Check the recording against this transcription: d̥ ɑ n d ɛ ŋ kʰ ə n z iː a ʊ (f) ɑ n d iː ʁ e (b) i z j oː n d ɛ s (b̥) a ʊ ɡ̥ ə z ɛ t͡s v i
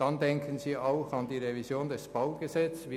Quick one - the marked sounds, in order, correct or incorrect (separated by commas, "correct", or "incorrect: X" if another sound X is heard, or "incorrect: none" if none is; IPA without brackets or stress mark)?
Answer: incorrect: x, incorrect: v, correct